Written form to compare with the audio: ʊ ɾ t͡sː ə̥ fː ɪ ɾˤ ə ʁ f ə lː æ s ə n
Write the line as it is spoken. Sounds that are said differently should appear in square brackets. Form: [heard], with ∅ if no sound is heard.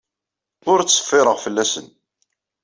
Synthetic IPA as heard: ʊ ɾ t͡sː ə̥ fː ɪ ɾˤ ə ʁ f ə lː æ s ə n